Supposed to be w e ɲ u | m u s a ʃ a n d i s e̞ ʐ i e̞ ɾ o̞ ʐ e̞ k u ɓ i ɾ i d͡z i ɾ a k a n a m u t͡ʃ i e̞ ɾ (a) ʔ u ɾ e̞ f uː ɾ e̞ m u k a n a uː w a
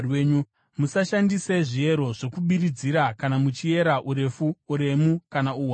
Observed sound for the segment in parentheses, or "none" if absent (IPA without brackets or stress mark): a